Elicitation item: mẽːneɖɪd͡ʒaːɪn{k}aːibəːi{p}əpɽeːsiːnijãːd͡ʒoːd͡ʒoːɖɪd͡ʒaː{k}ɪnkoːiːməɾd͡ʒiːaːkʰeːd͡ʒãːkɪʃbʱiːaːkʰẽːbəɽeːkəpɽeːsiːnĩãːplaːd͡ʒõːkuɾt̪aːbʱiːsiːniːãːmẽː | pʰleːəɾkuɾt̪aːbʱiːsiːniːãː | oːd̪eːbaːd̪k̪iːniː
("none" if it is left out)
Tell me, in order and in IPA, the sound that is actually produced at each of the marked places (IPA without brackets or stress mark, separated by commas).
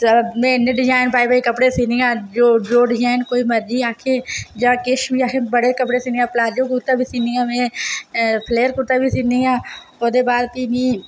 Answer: p, k, none